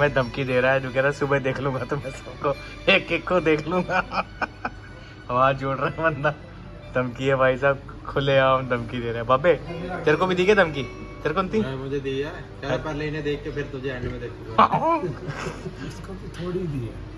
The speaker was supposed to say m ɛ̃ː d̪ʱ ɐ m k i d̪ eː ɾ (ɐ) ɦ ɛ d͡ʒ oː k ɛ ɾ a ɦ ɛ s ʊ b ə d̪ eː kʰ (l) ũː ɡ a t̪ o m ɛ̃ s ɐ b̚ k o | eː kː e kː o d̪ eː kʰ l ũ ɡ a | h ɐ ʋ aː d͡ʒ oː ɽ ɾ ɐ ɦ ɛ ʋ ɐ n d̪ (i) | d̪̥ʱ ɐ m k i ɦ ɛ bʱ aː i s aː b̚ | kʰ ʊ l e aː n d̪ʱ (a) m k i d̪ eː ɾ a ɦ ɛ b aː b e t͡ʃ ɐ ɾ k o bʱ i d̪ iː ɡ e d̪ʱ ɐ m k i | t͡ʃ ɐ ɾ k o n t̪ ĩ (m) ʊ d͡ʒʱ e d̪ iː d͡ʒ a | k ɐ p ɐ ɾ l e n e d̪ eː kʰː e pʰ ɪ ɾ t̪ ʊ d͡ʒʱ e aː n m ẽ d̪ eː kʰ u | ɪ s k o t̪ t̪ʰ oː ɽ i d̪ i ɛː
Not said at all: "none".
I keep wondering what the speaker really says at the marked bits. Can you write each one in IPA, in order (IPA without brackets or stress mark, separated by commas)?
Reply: a, l, a, ɐ, m